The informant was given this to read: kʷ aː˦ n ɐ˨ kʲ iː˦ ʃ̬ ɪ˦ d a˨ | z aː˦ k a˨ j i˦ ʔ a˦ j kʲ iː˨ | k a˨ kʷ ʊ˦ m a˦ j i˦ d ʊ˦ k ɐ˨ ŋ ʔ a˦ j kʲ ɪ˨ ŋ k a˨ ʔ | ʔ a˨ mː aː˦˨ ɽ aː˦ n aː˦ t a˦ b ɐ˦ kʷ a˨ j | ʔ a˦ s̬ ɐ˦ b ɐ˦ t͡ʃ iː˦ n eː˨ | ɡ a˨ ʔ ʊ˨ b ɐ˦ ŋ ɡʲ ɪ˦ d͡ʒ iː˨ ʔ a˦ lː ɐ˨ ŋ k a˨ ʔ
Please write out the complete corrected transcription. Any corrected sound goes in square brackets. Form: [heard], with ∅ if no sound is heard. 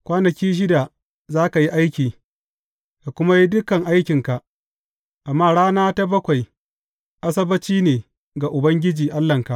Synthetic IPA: kʷ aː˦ n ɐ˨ kʲ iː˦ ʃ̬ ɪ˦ d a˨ | z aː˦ k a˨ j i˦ ʔ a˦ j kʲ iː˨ | k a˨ kʷ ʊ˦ m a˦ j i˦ d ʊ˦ k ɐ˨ ŋ ʔ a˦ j kʲ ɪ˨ ŋ k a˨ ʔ | ʔ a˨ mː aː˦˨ ɽ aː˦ n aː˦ t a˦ b ɐ˦ kʷ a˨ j | ʔ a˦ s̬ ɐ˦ b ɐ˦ t͡ʃ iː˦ n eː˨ | ɡ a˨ ʔ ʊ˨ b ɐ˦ ŋ ɡʲ ɪ˦ d͡ʒ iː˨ ʔ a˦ lː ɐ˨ ŋ k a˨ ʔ